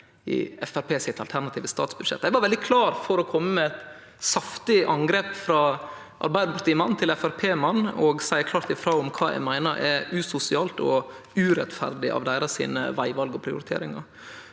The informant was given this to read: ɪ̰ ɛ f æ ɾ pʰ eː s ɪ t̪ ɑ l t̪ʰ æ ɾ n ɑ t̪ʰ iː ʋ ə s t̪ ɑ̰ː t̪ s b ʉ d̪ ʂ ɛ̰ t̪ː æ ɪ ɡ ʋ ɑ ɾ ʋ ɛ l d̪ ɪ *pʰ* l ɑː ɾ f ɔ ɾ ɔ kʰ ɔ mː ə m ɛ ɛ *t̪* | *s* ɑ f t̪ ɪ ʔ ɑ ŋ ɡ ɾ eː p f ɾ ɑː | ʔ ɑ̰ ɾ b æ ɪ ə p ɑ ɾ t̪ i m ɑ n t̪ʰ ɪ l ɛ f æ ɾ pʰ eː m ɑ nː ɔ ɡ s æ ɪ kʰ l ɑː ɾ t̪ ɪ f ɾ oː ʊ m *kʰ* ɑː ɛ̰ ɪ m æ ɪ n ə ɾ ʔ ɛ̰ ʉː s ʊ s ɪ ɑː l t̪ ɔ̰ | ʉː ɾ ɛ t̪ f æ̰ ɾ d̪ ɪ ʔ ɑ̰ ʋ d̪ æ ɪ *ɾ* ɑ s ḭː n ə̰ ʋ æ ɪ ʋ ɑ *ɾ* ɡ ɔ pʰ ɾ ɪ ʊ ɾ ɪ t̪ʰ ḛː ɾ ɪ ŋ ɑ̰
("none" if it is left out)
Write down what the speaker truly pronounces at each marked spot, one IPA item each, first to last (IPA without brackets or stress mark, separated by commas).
kʰ, t̪, s, kʰ, ɾ, l